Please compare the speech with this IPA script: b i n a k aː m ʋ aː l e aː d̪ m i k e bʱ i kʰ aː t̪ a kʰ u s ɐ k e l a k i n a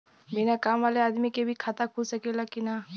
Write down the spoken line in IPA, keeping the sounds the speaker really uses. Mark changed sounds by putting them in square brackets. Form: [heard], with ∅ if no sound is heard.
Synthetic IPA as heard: b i n a k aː m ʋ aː l e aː d̪ m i k e bʱ i kʰ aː t̪ a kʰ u s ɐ k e l a k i n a